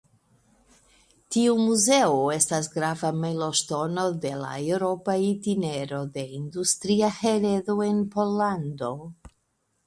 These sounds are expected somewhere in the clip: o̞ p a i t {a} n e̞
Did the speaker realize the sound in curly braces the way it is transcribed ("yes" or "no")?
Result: no